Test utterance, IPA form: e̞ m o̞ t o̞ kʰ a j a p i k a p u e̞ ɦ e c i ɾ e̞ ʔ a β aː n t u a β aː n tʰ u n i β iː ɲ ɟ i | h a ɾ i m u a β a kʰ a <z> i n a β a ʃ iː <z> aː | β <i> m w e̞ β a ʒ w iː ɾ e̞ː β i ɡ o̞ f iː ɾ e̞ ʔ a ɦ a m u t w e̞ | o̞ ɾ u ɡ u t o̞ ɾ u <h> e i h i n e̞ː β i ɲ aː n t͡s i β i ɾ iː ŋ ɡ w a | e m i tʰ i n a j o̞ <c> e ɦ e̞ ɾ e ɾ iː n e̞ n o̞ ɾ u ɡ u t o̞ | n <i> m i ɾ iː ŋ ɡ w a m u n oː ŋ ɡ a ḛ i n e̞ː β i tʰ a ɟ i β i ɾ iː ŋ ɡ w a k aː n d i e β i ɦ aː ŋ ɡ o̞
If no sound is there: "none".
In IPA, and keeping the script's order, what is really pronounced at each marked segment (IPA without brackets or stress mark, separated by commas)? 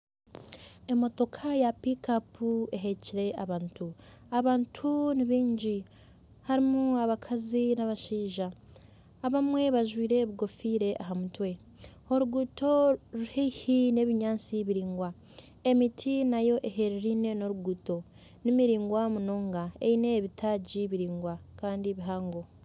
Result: z, ʒ, a, h, ʔ, i